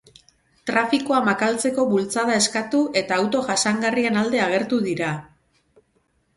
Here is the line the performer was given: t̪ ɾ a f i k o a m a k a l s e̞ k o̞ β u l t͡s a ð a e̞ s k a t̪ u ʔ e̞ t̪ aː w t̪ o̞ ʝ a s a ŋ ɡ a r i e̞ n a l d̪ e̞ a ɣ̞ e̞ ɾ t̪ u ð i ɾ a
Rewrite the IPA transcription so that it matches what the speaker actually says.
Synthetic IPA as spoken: t̪ ɾ a f i k o a m a k a l t͡s e̞ k o̞ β u l t͡s a ð a e̞ s k a t̪ u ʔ e̞ t̪ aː w t̪ o̞ ʝ a s a ŋ ɡ a r i e̞ n a l d̪ e̞ a ɣ̞ e̞ ɾ t̪ u ð i ɾ a